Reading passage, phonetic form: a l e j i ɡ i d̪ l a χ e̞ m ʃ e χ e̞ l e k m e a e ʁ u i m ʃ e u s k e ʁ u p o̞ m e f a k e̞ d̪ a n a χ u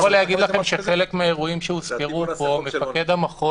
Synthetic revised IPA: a l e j a ɡ i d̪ l a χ e̞ m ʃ e χ e̞ l e k m e a e ʁ u i m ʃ e u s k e ʁ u p o̞ m e f a k e̞ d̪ a m a χ o